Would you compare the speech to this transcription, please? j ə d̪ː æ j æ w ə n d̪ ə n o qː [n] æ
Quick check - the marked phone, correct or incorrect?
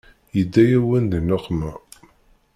incorrect